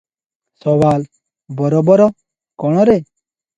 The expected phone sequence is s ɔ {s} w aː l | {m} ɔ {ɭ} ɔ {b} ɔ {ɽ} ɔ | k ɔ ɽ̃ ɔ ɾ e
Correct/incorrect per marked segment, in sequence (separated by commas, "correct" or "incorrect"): incorrect, incorrect, incorrect, correct, incorrect